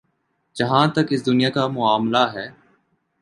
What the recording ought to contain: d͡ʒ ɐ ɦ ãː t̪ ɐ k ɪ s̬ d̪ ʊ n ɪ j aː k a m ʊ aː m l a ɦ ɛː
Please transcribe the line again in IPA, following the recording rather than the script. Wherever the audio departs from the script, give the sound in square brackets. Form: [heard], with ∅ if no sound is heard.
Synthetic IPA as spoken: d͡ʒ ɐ ɦ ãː t̪ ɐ k ɪ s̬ d̪ ʊ n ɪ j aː k a m ʊ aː m l a ɦ ɛː